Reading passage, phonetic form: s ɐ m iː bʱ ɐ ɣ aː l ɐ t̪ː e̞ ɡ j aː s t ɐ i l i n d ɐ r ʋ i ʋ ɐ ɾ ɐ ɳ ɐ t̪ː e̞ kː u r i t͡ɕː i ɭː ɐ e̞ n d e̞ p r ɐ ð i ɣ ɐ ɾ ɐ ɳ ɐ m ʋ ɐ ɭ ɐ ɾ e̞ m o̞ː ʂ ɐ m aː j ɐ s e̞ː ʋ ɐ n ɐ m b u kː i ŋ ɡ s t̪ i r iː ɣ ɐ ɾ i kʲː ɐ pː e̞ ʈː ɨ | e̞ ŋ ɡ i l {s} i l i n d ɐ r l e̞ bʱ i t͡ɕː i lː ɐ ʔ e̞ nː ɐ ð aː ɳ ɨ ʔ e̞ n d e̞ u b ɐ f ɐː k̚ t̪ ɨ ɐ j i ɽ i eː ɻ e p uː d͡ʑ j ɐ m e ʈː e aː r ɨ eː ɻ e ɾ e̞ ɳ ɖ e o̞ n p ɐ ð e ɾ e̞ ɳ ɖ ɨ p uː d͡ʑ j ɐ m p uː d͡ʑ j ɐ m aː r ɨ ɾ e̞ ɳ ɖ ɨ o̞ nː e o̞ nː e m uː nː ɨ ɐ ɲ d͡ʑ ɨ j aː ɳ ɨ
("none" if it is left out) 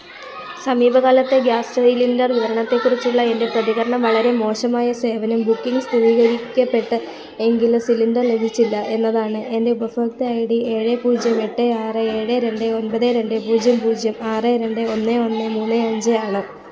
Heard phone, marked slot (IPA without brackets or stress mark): s